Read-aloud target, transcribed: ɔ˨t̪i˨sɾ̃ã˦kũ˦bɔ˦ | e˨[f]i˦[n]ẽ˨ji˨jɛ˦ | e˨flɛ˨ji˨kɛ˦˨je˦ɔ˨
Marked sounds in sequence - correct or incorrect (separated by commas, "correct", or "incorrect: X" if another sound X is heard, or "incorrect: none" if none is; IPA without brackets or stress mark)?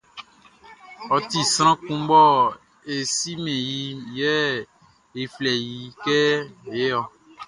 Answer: incorrect: s, incorrect: m